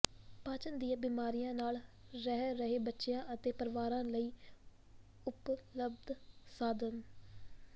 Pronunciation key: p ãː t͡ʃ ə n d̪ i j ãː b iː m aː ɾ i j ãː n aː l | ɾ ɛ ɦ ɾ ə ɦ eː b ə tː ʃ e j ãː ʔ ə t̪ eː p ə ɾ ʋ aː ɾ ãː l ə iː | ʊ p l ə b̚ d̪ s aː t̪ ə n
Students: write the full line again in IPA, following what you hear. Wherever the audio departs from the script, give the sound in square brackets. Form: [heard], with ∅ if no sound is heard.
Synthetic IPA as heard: p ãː t͡ʃ ə n d̪ i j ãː b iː m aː ɾ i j ãː n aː l | ɾ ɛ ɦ ɾ ə ɦ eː b ə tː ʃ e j ãː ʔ ə t̪ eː p ə ɾ ʋ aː ɾ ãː l ə iː | ʊ p l ə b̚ d̪ s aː [d̪] ə n